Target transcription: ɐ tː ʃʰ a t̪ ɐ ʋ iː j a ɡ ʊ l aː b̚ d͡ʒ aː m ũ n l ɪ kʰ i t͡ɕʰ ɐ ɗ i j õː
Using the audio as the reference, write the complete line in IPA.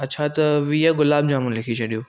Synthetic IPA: ɐ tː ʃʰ a t̪ ɐ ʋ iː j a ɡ ʊ l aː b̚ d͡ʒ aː m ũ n l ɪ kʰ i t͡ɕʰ ɐ ɗ i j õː